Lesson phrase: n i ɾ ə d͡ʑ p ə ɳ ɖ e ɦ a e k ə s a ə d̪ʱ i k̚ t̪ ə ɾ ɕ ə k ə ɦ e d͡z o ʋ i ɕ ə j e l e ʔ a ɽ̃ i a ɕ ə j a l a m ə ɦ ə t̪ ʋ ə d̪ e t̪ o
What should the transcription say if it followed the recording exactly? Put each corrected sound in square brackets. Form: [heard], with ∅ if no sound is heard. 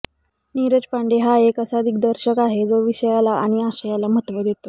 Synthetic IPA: n i ɾ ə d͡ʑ p [a] ɳ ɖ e ɦ a e k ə s a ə d̪ʱ i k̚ [d̪] ə ɾ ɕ ə k [a] ɦ e d͡z o ʋ i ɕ ə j [a] l [a] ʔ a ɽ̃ i a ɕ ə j a l a m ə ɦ ə t̪ ʋ ə d̪ e t̪ o